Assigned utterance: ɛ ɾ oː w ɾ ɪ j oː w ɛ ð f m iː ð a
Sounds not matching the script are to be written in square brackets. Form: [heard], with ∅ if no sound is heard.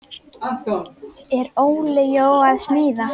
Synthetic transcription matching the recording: ɛ ɾ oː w [l] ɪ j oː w [a] ð [s] m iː ð a